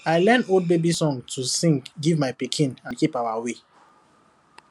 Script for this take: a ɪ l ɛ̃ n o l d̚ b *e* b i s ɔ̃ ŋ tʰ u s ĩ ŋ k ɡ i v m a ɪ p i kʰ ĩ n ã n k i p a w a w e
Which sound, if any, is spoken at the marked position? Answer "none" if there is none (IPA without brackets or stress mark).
e